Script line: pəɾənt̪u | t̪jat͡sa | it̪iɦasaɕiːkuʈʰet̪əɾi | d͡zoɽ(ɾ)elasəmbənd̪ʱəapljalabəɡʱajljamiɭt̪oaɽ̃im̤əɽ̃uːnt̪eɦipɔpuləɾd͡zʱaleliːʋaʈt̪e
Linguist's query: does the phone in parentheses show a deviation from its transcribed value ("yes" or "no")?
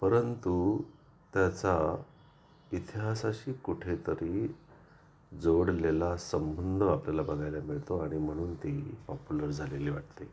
yes